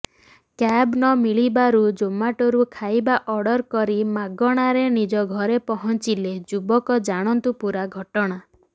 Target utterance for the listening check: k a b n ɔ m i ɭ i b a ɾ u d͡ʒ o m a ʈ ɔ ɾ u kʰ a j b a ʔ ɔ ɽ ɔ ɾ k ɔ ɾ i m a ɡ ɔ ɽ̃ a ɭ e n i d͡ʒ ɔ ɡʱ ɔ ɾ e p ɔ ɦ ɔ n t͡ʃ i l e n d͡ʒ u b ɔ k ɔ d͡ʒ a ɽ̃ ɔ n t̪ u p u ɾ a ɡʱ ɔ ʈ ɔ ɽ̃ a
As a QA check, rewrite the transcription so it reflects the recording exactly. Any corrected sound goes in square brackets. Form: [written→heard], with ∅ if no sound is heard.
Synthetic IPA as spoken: k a b n ɔ m i ɭ i b a ɾ u d͡ʒ o m a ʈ ɔ ɾ u kʰ a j b a ʔ ɔ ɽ ɔ ɾ k ɔ ɾ i m a ɡ ɔ ɽ̃ a [ɭ→ɾ] e n i d͡ʒ ɔ ɡʱ ɔ ɾ e p ɔ ɦ ɔ n t͡ʃ i l e [n→∅] d͡ʒ u b ɔ k ɔ d͡ʒ a ɽ̃ ɔ n t̪ u p u ɾ a ɡʱ ɔ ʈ ɔ ɽ̃ a